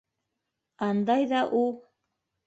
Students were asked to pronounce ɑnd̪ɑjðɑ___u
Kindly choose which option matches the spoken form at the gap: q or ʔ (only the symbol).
ʔ